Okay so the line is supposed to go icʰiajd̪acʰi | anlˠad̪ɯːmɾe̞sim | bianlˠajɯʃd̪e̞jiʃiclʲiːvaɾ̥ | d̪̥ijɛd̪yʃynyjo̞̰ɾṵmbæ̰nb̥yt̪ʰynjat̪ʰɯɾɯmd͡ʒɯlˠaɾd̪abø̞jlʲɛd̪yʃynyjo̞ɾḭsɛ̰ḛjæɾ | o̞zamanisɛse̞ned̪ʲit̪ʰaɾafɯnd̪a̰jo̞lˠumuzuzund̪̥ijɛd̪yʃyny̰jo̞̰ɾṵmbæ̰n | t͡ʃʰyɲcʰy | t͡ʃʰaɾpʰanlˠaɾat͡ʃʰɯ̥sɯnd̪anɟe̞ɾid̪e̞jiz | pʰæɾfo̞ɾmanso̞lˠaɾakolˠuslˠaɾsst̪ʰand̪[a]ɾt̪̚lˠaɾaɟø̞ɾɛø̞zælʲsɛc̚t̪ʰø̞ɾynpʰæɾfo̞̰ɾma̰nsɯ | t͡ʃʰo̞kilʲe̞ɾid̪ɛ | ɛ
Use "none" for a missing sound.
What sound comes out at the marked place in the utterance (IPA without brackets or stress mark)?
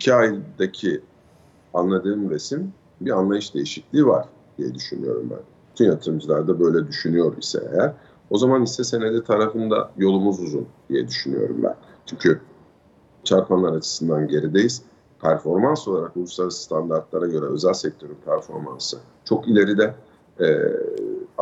a